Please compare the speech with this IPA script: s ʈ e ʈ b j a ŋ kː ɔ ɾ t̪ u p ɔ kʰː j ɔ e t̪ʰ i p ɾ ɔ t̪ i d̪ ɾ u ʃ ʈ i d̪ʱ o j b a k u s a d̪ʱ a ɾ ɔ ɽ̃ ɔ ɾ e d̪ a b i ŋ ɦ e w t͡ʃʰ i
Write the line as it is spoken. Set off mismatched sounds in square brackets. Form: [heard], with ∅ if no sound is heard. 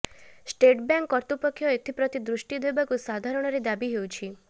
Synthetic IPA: s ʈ e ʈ b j a ŋ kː ɔ ɾ t̪ u p ɔ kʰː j ɔ e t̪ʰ i p ɾ ɔ t̪ i d̪ ɾ u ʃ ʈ i d̪ʱ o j b a k u s a d̪ʱ a ɾ ɔ ɽ̃ ɔ ɾ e d̪ a b i [∅] ɦ e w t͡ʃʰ i